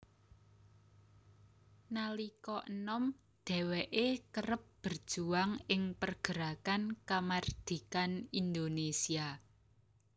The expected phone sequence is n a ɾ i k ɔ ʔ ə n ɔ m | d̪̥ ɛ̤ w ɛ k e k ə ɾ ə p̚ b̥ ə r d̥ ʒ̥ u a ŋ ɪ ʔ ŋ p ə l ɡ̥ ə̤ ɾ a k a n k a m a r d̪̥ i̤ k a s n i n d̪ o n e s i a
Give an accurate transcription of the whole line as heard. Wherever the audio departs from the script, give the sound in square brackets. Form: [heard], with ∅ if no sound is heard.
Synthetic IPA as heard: n a [l] i k ɔ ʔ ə n ɔ m | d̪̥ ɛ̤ w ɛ [ʔ] e k ə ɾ ə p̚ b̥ ə r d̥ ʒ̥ u a ŋ ɪ [∅] ŋ p ə [r] ɡ̥ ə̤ ɾ a k a n k a m a r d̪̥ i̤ k a [∅] n i n d̪ o n e s i a

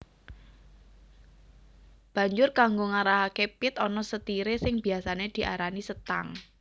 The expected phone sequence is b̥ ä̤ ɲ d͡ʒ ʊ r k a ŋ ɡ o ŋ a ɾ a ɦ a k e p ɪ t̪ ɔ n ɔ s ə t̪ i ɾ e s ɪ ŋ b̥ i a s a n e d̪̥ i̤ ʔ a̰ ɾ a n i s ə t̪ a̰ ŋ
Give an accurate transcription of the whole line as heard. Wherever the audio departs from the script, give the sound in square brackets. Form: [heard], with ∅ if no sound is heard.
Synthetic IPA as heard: b̥ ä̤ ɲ d͡ʒ ʊ r k a ŋ ɡ o ŋ a ɾ a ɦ a k e p ɪ t̪ ɔ n ɔ s ə t̪ i ɾ e s ɪ ŋ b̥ i a s a n e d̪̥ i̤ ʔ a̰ ɾ a n i s ə t̪ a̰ ŋ

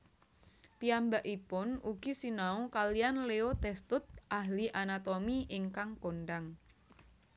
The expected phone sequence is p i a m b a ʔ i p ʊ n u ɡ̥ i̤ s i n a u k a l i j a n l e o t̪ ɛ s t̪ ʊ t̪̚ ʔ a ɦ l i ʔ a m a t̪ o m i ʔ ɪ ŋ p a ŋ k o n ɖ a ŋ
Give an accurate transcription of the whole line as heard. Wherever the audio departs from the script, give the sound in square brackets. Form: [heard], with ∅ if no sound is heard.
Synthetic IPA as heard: p i a m b a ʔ i p ʊ n u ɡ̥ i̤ s i n a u k a l i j a n l e o t̪ ɛ s t̪ ʊ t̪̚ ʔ a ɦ l i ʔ a [n] a t̪ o m i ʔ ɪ ŋ [k] a ŋ k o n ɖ a ŋ

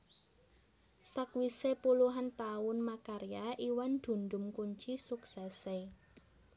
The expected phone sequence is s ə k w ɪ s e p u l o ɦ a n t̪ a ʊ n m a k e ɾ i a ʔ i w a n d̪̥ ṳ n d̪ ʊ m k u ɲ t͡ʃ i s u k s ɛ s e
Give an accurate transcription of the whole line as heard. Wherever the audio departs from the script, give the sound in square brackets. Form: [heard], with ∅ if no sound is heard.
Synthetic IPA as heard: s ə k w [i] s e p u l [u] ɦ a n t̪ a ʊ n m a k [a] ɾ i a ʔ i w a n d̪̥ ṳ n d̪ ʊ m k u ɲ t͡ʃ i s u k s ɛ s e

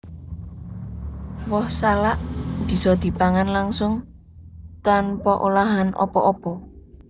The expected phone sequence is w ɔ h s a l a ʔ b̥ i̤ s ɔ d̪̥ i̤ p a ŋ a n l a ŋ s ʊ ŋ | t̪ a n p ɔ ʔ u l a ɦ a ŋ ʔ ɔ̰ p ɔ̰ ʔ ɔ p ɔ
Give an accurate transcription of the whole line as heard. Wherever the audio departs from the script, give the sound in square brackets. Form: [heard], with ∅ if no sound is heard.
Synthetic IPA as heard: w ɔ h s a l a ʔ b̥ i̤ s ɔ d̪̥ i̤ p a ŋ a n l a ŋ s ʊ ŋ | t̪ a n p ɔ ʔ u l a ɦ a [n] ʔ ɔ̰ p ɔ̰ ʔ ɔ p ɔ

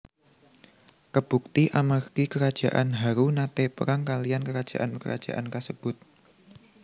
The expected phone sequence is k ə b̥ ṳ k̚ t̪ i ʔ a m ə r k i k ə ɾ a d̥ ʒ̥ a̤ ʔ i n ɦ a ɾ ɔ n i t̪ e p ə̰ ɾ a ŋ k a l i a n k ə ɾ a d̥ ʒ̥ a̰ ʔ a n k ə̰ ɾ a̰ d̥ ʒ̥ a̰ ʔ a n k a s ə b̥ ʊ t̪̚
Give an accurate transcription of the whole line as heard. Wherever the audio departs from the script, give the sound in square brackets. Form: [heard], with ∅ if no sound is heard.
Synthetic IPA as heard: k ə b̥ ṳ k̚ t̪ i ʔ a m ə r k i k ə ɾ a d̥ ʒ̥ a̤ ʔ [a] n ɦ a ɾ [u] n [a] t̪ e p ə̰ ɾ a ŋ k a l i a n k ə ɾ a d̥ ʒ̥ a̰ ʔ a n k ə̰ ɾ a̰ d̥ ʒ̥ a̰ ʔ a n k a s ə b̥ ʊ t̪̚

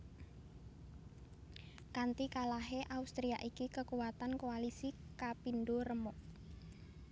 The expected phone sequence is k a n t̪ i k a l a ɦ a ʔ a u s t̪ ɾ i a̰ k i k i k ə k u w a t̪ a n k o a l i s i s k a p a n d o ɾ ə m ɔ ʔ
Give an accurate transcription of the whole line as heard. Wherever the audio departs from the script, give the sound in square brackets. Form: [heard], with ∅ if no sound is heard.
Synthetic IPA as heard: k a n t̪ i k a l a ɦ [e] ʔ a u s t̪ ɾ i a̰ [ʔ] i k i k ə k u w a t̪ a n k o a l i s i [∅] k a p [i] n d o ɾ ə m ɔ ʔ

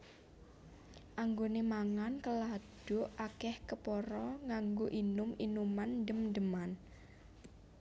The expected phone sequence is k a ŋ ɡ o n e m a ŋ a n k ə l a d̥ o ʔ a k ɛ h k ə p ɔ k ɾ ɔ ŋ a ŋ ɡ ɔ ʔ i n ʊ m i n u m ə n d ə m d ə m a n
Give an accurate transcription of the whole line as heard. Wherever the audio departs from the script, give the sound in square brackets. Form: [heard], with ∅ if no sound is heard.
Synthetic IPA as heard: [ʔ] a ŋ ɡ o n e m a ŋ a n k ə l a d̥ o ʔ a k ɛ h k ə p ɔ [∅] ɾ ɔ ŋ a ŋ ɡ [o] ʔ i n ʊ m i n u m [a] n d ə m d ə m a n

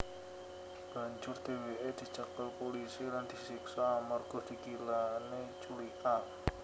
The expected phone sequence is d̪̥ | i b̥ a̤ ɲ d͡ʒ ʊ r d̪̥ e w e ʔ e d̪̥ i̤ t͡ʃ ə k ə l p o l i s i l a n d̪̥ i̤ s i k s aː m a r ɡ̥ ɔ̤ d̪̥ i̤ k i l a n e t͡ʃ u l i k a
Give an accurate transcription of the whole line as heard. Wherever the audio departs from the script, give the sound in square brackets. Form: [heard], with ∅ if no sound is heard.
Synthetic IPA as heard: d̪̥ | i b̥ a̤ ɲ d͡ʒ ʊ r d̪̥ e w e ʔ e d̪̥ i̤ t͡ʃ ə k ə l p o l i s i l a n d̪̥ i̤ s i k s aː m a r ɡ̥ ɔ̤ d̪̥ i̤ k i l a n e t͡ʃ u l i k a

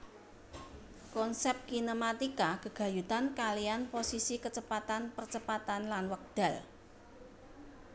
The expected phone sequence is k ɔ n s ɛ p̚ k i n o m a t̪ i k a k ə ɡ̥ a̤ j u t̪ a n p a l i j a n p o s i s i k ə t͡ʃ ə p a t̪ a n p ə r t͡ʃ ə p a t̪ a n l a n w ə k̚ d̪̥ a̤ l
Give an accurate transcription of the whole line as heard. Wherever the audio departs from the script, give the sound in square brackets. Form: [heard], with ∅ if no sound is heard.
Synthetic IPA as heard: k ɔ n s ɛ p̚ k i n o m a t̪ i k a k ə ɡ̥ a̤ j u t̪ a n [k] a l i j a n p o s i s i k ə t͡ʃ ə p a t̪ a n p ə r t͡ʃ ə p a t̪ a n l a n w ə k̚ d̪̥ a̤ l

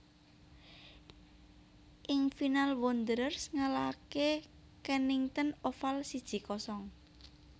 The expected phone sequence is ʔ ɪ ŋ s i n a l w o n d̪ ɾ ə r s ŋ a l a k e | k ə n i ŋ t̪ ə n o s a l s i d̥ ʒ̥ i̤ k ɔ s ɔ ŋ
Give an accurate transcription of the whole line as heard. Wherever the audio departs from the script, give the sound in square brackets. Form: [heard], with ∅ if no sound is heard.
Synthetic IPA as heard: ʔ ɪ ŋ [f] i n a l w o n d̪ ɾ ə r s ŋ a l a k e | k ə n i ŋ t̪ ə n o [f] a l s i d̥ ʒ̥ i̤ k ɔ s ɔ ŋ

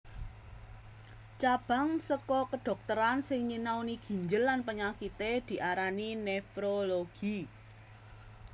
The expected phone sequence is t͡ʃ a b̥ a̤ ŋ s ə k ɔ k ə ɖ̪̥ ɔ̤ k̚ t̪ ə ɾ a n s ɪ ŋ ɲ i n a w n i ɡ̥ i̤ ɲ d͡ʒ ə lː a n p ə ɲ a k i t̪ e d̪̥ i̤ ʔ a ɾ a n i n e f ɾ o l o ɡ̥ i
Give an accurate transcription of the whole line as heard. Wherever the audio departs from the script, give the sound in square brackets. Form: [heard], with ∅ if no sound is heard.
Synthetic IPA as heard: t͡ʃ a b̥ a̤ ŋ s ə k ɔ k ə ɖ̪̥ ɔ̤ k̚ t̪ ə ɾ a n s ɪ ŋ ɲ i n a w n i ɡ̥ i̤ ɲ d͡ʒ ə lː a n p ə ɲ a k i t̪ e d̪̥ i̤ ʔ a ɾ a n i n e f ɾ o l o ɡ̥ i

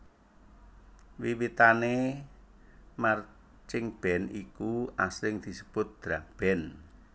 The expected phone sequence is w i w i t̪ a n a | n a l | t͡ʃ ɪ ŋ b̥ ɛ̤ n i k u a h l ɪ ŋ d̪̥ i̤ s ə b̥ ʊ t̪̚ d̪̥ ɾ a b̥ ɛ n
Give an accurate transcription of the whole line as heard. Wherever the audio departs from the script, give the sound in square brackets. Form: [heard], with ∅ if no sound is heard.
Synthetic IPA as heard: w i w i t̪ a n [e] | [m] a [r] | t͡ʃ ɪ ŋ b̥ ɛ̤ n i k u a [s] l ɪ ŋ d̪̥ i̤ s ə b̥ ʊ t̪̚ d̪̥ ɾ a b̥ ɛ n

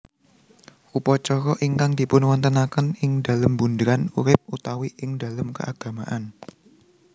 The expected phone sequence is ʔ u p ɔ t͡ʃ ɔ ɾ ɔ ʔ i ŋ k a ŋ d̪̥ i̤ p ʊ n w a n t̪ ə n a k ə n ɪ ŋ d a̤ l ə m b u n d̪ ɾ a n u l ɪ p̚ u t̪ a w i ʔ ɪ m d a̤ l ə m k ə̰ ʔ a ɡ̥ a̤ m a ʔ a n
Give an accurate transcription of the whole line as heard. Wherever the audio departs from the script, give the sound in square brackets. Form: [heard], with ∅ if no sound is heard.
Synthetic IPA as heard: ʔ u p ɔ t͡ʃ ɔ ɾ ɔ ʔ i ŋ k a ŋ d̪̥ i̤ p ʊ n w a n t̪ ə n a k ə n ɪ ŋ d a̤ l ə m b u n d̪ ɾ a n u [ɾ] ɪ p̚ u t̪ a w i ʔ ɪ [ŋ] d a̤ l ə m k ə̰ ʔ a ɡ̥ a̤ m a ʔ a n

